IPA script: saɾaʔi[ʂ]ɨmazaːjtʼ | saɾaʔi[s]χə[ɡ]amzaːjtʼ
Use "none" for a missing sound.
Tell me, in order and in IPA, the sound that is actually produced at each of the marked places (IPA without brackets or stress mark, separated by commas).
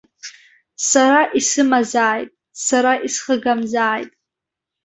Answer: s, s, ɡ